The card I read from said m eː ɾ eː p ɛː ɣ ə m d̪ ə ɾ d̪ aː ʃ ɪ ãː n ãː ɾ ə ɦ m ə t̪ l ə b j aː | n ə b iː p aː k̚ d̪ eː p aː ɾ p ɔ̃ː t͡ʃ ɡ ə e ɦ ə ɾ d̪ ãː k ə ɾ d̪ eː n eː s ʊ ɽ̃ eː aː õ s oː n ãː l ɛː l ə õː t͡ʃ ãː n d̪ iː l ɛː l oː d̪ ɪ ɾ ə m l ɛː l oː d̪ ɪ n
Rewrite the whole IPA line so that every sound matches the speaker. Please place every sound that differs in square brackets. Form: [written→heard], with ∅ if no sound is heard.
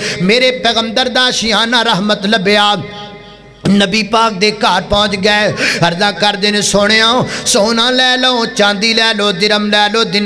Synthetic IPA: m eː ɾ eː p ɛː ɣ ə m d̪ ə ɾ d̪ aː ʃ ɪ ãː n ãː ɾ ə ɦ m ə t̪ l ə b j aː | n ə b iː p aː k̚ d̪ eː [p→k] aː ɾ p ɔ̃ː t͡ʃ ɡ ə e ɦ ə ɾ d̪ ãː k ə ɾ d̪ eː n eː s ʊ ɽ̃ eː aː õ s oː n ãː l ɛː l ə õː t͡ʃ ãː n d̪ iː l ɛː l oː d̪ ɪ ɾ ə m l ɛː l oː d̪ ɪ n